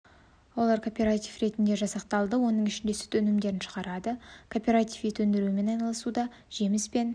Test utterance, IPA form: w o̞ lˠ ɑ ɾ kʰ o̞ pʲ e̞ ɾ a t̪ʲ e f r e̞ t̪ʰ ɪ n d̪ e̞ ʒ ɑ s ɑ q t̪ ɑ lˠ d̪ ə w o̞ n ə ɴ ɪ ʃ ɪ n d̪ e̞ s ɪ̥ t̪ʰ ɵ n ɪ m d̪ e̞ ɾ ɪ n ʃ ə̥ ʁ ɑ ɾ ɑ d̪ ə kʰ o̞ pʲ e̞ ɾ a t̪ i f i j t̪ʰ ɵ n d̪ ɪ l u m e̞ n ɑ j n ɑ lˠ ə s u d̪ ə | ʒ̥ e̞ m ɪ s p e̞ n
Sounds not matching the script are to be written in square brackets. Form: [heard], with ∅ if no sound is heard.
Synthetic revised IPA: w o̞ lˠ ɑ ɾ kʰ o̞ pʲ e̞ ɾ a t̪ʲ [i] f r e̞ [t̪] ɪ n d̪ e̞ ʒ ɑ s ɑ q t̪ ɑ lˠ d̪ ə w o̞ n ə ɴ ɪ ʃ ɪ n d̪ e̞ s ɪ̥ t̪ʰ ɵ n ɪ m d̪ e̞ ɾ ɪ n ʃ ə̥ ʁ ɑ ɾ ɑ d̪ ə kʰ o̞ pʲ e̞ ɾ a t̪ i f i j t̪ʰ ɵ n d̪ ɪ [ɾ] u m e̞ n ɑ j n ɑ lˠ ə s u d̪ [ɑ] | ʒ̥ e̞ m ɪ s p e̞ n

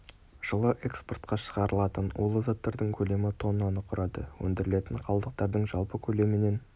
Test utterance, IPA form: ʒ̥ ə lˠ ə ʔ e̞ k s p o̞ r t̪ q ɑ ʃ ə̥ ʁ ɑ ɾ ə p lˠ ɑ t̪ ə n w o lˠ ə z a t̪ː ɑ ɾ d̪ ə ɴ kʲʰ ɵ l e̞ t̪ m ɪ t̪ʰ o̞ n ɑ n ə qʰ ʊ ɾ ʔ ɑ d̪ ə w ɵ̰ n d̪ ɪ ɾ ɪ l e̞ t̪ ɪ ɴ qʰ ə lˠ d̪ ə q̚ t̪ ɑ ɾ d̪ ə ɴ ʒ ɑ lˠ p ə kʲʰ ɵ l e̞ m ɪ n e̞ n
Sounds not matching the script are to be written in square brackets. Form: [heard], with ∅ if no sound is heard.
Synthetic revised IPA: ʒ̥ ə lˠ ə ʔ e̞ k s p o̞ r t̪ q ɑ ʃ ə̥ ʁ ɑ ɾ ə [∅] lˠ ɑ t̪ ə n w o lˠ ə z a t̪ː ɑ ɾ d̪ ə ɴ kʲʰ ɵ l e̞ [∅] m ɪ t̪ʰ o̞ n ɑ n ə qʰ ʊ ɾ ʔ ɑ d̪ ə w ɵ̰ n d̪ ɪ ɾ ɪ l e̞ t̪ ɪ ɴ qʰ [ɑ] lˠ d̪ ə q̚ t̪ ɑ ɾ d̪ ə ɴ ʒ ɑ lˠ p ə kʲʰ ɵ l e̞ m ɪ n e̞ n

